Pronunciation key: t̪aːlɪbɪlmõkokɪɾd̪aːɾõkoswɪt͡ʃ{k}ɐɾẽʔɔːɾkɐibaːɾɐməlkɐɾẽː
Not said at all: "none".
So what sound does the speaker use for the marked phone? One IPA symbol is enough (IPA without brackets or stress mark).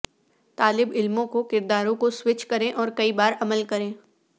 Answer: k